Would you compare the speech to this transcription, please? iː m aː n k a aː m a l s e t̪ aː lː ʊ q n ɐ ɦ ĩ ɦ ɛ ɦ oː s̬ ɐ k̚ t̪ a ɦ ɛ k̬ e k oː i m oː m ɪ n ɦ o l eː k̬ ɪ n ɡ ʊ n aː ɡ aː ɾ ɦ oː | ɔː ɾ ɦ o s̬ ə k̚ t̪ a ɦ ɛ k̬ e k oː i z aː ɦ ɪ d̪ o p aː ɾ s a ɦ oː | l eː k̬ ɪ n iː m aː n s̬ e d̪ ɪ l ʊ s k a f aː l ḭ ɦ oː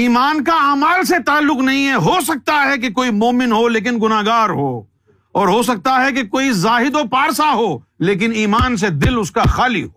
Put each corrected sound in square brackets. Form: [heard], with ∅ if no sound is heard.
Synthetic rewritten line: iː m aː n k a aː m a l s e t̪ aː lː ʊ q n ɐ ɦ ĩ ɦ ɛ ɦ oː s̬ ɐ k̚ t̪ a ɦ ɛ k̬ e k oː i m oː m ɪ n ɦ o l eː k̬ ɪ n ɡ ʊ n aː ɡ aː ɾ ɦ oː | ɔː ɾ ɦ o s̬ [ɐ] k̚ t̪ a ɦ ɛ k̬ e k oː i z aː ɦ ɪ d̪ o p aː ɾ s a ɦ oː | l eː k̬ ɪ n iː m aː n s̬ e d̪ ɪ l ʊ s k a [x] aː l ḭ ɦ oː